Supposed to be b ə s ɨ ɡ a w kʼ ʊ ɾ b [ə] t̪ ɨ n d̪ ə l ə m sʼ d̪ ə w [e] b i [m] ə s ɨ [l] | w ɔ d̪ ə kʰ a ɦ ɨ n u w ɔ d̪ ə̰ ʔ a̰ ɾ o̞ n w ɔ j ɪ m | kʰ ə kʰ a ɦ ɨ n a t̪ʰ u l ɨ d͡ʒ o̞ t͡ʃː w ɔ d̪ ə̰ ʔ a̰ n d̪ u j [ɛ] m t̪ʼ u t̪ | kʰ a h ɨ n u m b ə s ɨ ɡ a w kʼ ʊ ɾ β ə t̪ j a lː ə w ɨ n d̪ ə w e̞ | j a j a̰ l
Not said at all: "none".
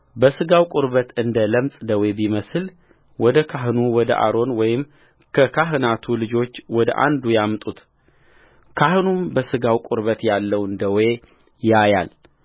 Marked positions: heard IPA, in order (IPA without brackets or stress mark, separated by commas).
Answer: ə, e, m, l, a